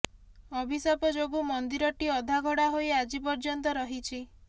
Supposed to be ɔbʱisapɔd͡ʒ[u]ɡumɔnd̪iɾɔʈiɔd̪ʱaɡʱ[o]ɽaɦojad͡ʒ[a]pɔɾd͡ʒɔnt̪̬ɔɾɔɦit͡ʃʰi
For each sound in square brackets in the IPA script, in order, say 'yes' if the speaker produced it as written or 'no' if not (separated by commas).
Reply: no, no, no